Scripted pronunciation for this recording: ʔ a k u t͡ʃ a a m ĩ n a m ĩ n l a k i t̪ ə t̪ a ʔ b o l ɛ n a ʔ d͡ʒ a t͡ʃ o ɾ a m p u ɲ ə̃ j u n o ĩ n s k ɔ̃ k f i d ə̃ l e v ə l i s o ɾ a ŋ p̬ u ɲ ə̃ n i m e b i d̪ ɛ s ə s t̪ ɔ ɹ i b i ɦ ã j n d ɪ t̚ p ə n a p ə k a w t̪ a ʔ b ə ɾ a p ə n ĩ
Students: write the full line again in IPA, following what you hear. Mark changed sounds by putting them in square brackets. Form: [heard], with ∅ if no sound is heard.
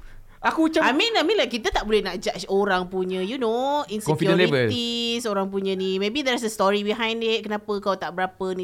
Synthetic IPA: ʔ a k u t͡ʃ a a m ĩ n a m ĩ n l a k i t̪ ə t̪ a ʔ b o l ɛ n a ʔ d͡ʒ a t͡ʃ o ɾ a [ŋ] p u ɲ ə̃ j u n o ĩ n s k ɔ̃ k f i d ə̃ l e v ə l i s o ɾ a ŋ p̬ u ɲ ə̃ n i m e b i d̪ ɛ s ə s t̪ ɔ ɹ i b i ɦ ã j n d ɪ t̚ [k] ə n a p ə k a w t̪ a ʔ b ə ɾ a p ə n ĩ